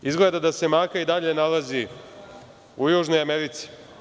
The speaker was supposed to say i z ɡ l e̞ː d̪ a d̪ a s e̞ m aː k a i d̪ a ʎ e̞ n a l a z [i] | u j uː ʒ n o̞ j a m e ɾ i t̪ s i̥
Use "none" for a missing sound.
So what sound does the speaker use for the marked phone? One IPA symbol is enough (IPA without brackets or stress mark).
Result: i